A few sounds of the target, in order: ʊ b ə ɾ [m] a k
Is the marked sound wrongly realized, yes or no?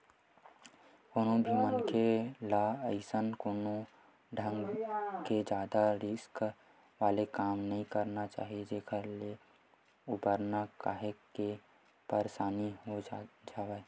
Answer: yes